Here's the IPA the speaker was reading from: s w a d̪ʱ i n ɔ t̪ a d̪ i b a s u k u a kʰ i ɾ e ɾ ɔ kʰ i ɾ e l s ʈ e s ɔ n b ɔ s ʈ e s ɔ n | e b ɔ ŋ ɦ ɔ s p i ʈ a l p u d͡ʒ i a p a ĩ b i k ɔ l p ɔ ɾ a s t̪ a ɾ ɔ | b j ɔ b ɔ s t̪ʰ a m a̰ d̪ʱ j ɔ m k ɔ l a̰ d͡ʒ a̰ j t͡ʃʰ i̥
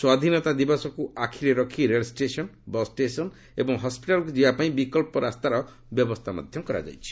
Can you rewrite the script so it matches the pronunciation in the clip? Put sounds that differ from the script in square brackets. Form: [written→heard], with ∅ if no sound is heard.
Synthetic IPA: s w a d̪ʱ i n ɔ t̪ a d̪ i b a s [u→ɔ] k u a kʰ i ɾ e ɾ ɔ kʰ i ɾ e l s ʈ e s ɔ n b ɔ s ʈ e s ɔ n | e b ɔ ŋ ɦ ɔ s p i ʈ a l [p→k] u d͡ʒ i a p a ĩ b i k ɔ l p ɔ ɾ a s t̪ a ɾ ɔ | b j ɔ b ɔ s t̪ʰ a m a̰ d̪ʱ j ɔ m k ɔ [l→ɾ] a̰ d͡ʒ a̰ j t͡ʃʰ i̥